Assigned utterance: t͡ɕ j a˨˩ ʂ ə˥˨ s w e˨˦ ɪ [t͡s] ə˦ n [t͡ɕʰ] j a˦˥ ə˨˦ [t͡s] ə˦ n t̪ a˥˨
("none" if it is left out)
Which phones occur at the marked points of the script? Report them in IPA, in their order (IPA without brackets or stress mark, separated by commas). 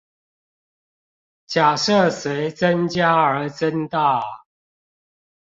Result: t͡s, t͡ɕ, t͡s